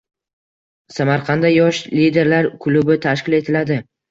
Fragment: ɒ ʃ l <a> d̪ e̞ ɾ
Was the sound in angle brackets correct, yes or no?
no